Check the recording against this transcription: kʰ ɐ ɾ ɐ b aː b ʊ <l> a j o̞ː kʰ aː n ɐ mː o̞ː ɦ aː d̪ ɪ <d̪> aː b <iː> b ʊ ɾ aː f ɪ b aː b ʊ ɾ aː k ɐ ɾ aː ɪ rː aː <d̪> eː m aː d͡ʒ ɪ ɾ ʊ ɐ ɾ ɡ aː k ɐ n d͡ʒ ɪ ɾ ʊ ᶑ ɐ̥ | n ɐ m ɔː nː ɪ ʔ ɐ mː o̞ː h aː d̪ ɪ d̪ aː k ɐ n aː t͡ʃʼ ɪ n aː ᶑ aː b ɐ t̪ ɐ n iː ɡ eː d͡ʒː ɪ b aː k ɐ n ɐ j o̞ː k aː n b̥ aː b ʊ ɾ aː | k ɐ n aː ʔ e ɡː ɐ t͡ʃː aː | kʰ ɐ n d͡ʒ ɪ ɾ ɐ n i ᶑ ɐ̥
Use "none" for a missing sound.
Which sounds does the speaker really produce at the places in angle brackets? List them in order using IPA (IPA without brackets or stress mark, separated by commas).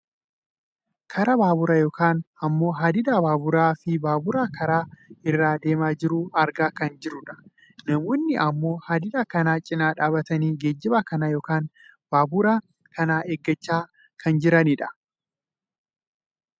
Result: ɾ, d̪, aː, d̪